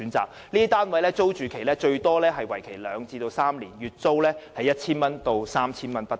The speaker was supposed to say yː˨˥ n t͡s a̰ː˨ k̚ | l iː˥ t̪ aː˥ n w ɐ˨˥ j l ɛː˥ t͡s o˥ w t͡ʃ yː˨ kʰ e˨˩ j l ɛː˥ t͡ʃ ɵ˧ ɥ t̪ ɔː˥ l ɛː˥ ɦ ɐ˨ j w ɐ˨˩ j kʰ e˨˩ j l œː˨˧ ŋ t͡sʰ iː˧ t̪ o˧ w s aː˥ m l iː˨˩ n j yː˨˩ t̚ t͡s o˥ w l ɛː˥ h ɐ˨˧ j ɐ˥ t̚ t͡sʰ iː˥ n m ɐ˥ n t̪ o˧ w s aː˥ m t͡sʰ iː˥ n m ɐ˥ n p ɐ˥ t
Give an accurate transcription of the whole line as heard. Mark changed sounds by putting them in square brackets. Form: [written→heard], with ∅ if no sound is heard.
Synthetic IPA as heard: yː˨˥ n t͡s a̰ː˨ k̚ | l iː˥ t̪ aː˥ n w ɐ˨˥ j l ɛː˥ t͡s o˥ w t͡ʃ yː˨ kʰ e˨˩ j l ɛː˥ t͡ʃ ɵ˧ ɥ t̪ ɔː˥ l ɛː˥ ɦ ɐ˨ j w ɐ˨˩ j kʰ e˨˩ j l œː˨˧ ŋ [t͡sʰ→t͡s] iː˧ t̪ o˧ w s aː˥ m l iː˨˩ n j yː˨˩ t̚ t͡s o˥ w l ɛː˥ h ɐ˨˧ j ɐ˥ t̚ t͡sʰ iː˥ n m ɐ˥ n t̪ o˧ w s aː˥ m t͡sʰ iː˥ n m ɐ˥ n p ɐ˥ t

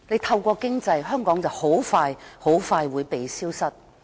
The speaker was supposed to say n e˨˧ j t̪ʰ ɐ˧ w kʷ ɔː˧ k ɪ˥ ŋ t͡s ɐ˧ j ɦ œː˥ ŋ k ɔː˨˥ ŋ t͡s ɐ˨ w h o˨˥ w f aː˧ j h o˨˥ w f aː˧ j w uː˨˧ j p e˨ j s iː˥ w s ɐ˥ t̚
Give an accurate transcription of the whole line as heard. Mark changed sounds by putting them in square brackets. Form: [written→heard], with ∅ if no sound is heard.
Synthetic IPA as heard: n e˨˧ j t̪ʰ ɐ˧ w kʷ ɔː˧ k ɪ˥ ŋ t͡s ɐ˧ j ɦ œː˥ ŋ k ɔː˨˥ ŋ t͡s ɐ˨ w h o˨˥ w f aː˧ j h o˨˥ w f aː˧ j w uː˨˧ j p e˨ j s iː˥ w s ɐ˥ t̚

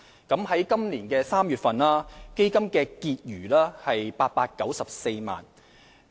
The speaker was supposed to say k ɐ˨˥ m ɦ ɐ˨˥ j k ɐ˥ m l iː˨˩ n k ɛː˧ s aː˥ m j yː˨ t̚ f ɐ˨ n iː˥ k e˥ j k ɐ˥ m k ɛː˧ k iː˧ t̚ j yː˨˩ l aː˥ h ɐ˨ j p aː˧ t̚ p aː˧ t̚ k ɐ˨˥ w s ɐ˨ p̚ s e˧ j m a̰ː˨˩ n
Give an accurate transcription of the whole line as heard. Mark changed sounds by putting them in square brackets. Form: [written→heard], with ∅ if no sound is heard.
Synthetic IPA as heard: k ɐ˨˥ m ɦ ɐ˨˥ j k ɐ˥ m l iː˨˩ n k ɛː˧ s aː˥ m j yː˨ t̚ f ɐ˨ n [iː˥→aː˥] k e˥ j k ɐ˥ m k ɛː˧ k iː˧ t̚ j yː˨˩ l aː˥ h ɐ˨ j p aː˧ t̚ p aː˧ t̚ k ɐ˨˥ w s ɐ˨ p̚ s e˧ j m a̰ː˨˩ n

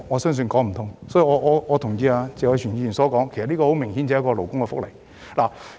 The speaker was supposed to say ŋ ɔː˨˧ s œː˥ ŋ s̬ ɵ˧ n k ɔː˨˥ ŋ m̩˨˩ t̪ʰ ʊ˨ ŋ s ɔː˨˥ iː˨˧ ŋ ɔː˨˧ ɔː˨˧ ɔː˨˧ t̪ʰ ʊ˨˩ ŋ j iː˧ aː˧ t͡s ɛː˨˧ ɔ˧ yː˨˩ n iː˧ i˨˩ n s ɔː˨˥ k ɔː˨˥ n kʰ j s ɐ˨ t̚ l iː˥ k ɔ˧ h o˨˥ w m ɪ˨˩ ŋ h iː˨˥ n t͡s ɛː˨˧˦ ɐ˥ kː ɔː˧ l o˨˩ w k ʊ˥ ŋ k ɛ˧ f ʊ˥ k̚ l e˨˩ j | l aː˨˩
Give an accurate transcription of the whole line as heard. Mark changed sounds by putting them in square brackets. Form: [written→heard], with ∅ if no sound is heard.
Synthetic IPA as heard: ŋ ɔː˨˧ s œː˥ ŋ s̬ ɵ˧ n k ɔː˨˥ ŋ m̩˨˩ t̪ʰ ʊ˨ ŋ s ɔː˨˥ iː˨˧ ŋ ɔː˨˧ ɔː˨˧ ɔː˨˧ t̪ʰ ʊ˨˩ ŋ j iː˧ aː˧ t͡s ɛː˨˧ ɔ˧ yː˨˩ n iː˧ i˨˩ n s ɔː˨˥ k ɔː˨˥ [n→ŋ] kʰ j s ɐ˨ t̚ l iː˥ k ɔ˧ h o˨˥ w m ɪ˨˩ ŋ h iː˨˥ n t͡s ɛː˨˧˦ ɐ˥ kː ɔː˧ l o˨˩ w k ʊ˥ ŋ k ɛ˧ f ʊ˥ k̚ l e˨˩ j | l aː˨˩

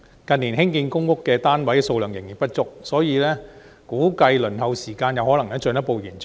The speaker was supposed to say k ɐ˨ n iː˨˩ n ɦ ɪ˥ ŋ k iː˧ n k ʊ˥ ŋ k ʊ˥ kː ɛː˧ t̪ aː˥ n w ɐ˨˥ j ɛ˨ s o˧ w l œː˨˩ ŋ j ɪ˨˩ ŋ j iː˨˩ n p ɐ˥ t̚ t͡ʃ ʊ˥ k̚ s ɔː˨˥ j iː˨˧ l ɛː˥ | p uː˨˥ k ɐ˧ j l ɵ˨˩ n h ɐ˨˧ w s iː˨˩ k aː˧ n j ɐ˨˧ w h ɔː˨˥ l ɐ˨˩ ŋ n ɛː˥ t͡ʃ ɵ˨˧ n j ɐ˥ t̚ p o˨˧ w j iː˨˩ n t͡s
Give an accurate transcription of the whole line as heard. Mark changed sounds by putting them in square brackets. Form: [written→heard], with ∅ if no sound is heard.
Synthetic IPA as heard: k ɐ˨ n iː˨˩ n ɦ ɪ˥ ŋ k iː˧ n k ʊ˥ ŋ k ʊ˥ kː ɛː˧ t̪ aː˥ n w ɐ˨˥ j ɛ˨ s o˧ w l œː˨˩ ŋ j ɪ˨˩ ŋ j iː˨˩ n p ɐ˥ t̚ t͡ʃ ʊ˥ k̚ s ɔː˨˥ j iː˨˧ l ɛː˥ | [p→k] uː˨˥ k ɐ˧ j l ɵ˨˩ n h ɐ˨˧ w s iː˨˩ k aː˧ n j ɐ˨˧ w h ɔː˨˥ l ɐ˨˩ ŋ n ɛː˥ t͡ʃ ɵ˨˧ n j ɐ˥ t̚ p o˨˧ w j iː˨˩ n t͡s

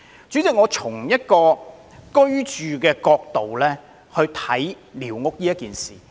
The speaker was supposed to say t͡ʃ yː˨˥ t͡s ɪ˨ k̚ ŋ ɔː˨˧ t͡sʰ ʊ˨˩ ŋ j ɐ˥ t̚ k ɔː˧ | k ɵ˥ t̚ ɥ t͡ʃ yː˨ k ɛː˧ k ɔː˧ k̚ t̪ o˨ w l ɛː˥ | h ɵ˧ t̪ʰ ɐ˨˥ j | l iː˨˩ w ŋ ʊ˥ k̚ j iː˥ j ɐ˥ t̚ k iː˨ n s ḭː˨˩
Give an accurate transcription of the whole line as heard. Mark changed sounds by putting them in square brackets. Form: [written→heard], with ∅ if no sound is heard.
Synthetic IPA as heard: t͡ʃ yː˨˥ t͡s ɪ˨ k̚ ŋ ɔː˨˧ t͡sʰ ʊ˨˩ ŋ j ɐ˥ t̚ k ɔː˧ | k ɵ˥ [t̚→∅] ɥ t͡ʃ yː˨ k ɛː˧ k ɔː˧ k̚ t̪ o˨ w l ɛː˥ | h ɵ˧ t̪ʰ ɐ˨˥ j | l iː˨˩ w ŋ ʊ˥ k̚ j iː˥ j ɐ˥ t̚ k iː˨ n s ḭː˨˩

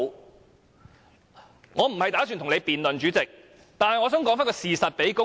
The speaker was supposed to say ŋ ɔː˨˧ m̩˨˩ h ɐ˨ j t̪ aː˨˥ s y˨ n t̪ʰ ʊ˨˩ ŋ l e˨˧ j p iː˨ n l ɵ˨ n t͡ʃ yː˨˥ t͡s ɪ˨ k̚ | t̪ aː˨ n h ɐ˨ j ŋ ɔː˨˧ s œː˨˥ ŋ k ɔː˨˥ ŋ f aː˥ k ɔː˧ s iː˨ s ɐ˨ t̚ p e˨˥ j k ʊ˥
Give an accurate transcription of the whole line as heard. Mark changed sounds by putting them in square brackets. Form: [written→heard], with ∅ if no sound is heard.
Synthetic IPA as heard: ŋ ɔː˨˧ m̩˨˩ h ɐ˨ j t̪ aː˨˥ s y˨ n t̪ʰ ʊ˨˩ ŋ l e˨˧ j p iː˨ n l ɵ˨ n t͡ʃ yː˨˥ t͡s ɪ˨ k̚ | t̪ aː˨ n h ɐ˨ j ŋ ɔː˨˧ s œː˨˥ ŋ k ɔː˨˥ ŋ f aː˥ k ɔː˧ s iː˨ s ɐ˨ t̚ p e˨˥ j k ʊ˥

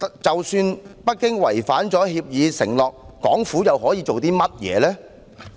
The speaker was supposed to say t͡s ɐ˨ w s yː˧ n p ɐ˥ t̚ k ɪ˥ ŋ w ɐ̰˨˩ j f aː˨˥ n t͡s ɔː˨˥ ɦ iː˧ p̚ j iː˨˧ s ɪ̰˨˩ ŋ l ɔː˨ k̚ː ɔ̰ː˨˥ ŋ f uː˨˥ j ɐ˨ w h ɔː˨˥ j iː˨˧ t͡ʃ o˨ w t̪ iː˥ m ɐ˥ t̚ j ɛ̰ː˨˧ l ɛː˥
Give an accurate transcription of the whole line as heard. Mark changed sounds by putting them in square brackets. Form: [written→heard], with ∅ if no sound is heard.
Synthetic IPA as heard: t͡s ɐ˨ w s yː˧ n p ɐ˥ t̚ k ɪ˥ ŋ w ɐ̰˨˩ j f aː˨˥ n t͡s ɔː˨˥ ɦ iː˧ p̚ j iː˨˧ s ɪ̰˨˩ ŋ l ɔː˨ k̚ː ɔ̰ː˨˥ ŋ f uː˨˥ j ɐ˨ w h ɔː˨˥ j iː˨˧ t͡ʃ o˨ w t̪ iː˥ m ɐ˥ t̚ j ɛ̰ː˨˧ l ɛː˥

